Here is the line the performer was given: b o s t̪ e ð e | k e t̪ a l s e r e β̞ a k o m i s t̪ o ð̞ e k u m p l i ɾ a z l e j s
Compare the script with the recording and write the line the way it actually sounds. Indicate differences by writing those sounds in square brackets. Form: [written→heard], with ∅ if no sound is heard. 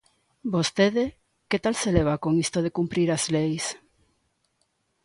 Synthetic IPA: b o s t̪ e ð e | k e t̪ a l s e [r→l] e β̞ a k o [m→ŋ] i s t̪ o ð̞ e k u m p [l→ɾ] i ɾ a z l e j s